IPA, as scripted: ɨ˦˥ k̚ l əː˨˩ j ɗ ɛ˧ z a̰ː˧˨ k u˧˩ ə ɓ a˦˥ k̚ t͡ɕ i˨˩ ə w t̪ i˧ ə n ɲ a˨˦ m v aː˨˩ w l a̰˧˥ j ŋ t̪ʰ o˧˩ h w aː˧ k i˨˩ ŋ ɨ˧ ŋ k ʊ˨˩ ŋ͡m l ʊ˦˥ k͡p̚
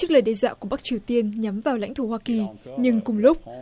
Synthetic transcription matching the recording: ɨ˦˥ k̚ l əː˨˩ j ɗ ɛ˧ z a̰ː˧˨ k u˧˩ ə ɓ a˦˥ k̚ t͡ɕ i˨˩ ə w t̪ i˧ ə n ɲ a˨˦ m v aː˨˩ w l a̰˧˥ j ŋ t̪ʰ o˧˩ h w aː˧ k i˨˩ ɲ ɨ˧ ŋ k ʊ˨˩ ŋ͡m l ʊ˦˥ k͡p̚

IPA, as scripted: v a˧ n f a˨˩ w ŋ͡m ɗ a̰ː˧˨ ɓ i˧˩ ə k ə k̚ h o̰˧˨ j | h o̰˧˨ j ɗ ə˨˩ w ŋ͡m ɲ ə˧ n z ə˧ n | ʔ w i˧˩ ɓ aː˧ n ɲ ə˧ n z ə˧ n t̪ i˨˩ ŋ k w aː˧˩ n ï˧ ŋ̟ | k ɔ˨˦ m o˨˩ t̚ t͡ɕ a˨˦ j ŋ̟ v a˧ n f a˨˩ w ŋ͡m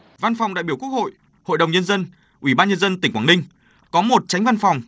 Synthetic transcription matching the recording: v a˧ n f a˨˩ w ŋ͡m ɗ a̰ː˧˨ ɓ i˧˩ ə k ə k̚ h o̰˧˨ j | h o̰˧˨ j ɗ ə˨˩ w ŋ͡m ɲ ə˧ n z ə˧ n | ʔ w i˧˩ ɓ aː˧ n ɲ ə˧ n z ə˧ n t̪ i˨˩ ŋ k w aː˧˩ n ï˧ ŋ̟ | k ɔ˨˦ m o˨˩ t̚ t͡ɕ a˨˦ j ŋ̟ v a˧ n f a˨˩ w ŋ͡m

